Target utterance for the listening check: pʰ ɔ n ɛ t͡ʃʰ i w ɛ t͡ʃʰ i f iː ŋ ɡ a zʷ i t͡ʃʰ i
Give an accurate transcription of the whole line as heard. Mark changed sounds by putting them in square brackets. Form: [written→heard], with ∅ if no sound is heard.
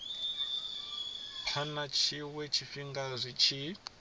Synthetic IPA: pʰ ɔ n [ɛ→a] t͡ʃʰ i w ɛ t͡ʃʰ i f [iː→i] ŋ ɡ a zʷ i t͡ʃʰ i

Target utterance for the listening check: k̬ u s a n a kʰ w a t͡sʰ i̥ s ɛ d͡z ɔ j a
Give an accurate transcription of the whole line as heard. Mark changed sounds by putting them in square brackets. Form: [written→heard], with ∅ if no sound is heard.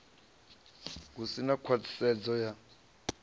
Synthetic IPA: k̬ u s [a→i] n a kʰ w a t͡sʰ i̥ s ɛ d͡z ɔ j a

